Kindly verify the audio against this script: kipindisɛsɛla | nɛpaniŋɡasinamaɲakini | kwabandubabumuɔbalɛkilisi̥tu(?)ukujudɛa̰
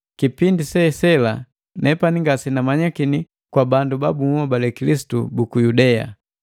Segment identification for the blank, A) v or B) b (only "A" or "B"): B